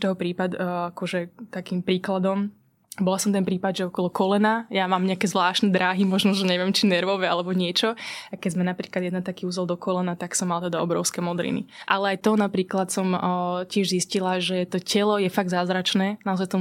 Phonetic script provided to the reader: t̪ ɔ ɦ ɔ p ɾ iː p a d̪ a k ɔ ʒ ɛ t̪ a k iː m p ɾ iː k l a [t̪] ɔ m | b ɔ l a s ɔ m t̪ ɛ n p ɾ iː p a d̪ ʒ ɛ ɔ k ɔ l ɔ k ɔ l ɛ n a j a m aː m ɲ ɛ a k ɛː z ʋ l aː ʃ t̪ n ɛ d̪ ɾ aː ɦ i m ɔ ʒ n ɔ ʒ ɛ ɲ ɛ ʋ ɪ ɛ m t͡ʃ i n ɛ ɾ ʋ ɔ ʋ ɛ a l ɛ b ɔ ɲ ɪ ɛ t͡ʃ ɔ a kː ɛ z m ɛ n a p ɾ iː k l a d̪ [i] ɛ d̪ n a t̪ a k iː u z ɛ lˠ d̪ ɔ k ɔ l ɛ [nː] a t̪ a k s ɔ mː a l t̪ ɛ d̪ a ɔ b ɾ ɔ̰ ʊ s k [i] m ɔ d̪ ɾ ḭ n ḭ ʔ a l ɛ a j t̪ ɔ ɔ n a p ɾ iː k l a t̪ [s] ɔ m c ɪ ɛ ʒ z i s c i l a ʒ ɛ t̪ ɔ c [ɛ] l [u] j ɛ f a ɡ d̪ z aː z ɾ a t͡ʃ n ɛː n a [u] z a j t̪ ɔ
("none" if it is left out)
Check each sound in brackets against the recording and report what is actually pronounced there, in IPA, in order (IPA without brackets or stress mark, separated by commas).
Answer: d̪, j, n, ɛ, s, ɛ, ɔ, ɔ